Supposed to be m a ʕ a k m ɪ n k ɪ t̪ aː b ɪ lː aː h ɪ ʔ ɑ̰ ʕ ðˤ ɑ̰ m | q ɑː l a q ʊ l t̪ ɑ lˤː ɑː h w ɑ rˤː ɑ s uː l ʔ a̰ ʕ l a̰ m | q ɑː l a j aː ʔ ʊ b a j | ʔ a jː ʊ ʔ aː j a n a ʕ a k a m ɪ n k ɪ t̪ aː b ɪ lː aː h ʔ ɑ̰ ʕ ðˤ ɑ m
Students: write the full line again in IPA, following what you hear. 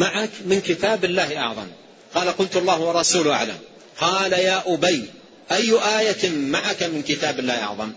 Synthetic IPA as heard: m a ʕ a k m ɪ n k ɪ t̪ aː b ɪ lː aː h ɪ ʔ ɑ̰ ʕ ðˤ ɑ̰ m | q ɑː l a q ʊ l t̪ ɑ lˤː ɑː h w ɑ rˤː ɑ s uː l ʔ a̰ ʕ l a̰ m | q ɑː l a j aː ʔ ʊ b a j | ʔ a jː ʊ ʔ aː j a m a ʕ a k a m ɪ n k ɪ t̪ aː b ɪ lː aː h ʔ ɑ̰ ʕ ðˤ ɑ m